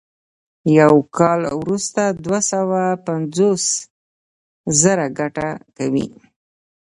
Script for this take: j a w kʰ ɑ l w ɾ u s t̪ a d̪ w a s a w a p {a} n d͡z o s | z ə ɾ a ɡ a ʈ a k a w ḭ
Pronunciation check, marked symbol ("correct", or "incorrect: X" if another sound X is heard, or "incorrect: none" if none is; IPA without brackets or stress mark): correct